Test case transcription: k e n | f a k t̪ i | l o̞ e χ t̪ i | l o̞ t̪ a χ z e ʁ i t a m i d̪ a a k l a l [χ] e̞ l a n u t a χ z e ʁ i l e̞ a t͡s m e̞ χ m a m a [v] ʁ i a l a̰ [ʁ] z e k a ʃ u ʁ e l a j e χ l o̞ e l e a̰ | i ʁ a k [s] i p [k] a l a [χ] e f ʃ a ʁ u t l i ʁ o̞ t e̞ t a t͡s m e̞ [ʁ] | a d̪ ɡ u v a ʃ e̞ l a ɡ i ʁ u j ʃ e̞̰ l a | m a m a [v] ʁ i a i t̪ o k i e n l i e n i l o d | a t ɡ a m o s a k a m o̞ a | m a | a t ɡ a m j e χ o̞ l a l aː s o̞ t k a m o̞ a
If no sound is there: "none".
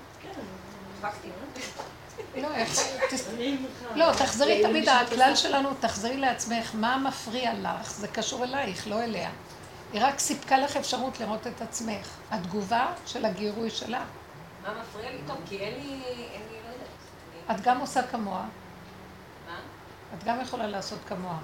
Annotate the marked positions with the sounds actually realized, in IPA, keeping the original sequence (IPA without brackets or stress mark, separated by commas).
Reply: ʃ, f, χ, s, k, χ, χ, f